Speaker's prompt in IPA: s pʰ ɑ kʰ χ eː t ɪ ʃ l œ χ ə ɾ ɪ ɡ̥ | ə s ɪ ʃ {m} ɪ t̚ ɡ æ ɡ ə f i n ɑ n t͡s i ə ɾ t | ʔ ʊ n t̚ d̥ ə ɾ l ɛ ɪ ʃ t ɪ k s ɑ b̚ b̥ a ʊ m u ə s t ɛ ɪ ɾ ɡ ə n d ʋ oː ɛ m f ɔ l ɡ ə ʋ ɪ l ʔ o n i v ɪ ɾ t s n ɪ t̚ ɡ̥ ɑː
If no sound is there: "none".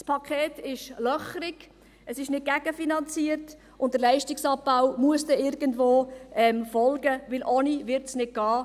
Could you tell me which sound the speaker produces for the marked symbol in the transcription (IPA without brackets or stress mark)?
n